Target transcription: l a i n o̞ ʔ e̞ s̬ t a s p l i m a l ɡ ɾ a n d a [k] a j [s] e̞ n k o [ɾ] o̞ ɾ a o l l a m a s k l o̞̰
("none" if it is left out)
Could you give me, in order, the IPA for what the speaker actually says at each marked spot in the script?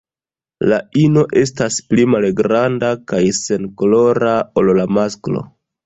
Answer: k, s, l

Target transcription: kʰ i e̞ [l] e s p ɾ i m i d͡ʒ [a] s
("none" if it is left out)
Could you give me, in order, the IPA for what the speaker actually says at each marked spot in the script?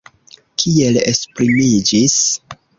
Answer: l, i

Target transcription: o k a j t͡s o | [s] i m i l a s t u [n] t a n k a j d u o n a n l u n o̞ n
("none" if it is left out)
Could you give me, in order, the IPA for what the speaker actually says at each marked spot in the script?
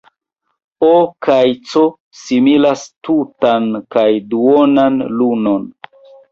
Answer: s, none

